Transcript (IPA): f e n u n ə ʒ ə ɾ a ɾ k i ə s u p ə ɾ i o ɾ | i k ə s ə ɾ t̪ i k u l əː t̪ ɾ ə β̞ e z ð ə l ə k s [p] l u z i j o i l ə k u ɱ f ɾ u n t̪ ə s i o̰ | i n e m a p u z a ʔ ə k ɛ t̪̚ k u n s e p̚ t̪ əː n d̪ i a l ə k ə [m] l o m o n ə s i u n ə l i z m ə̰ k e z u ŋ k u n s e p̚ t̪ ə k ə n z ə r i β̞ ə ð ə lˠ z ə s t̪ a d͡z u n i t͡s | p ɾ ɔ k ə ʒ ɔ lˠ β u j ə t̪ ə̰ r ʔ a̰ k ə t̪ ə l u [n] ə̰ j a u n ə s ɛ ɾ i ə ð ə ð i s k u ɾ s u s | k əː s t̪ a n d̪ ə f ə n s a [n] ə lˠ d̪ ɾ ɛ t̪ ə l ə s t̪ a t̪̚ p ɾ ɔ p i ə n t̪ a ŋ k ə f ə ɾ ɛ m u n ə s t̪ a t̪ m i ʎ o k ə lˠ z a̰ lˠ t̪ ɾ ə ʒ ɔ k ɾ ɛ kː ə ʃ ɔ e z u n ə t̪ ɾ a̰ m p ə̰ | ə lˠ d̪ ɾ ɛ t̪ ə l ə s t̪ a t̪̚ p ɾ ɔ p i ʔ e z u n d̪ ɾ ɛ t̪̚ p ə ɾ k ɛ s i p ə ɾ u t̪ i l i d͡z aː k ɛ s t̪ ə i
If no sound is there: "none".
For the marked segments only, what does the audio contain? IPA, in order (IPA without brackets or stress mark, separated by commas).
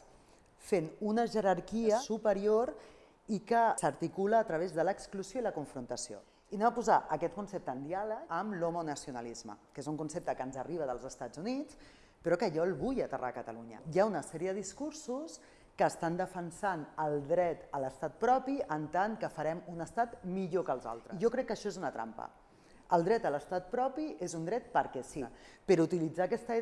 k, m, ɲ, n